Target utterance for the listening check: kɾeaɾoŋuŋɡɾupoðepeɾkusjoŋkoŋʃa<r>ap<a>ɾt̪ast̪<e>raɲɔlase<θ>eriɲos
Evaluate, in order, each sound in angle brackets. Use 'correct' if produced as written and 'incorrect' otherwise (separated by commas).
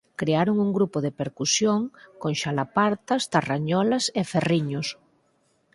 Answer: incorrect, correct, incorrect, incorrect